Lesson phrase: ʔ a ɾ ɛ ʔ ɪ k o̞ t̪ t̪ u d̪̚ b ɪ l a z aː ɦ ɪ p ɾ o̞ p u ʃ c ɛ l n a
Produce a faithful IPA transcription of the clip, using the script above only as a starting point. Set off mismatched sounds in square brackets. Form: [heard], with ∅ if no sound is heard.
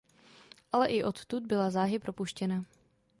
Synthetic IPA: ʔ a [l] ɛ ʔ ɪ [ʔ] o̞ t̪ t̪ u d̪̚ b ɪ l a z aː ɦ ɪ p ɾ o̞ p u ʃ c ɛ [∅] n a